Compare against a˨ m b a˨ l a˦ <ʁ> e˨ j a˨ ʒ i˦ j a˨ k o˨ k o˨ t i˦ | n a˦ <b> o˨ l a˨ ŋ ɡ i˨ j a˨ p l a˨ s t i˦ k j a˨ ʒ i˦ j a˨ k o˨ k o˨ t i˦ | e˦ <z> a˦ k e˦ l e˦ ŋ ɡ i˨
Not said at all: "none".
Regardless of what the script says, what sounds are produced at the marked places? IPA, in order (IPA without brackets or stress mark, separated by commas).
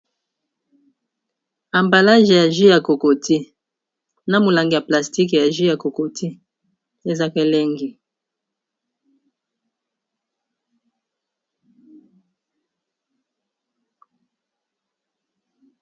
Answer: ʒ, m, z